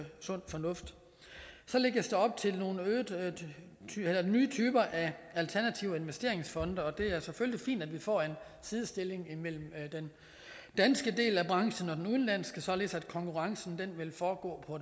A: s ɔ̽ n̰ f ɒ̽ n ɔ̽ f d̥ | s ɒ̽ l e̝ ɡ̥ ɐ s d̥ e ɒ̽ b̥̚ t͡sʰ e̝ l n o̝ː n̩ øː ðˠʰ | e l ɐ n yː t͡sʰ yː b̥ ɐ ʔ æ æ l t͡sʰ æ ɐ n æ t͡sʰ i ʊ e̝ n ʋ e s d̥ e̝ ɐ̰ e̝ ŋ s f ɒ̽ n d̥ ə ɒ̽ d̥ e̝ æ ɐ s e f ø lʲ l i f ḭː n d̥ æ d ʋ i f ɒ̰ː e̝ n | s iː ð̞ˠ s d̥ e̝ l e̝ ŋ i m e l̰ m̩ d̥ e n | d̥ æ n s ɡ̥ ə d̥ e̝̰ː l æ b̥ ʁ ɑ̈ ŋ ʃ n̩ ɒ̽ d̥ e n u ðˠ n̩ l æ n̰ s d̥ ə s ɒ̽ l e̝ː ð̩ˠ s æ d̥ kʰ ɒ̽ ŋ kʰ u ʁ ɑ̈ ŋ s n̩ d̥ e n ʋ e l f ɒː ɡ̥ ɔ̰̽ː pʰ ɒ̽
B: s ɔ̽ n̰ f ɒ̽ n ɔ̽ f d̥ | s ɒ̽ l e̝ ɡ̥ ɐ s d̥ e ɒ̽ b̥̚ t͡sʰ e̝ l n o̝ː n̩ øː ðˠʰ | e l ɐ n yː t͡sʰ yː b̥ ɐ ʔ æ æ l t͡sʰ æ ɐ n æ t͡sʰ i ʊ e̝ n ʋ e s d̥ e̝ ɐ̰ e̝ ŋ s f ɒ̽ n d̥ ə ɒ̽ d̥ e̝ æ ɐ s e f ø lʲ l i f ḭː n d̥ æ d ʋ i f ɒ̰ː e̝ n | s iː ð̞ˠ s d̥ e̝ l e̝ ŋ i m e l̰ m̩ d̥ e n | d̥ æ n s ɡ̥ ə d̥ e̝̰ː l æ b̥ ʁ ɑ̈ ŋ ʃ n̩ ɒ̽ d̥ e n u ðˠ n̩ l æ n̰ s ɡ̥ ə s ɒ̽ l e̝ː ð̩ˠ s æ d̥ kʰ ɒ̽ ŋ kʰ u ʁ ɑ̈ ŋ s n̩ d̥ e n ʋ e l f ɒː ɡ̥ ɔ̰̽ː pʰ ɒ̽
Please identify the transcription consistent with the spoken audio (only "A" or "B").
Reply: B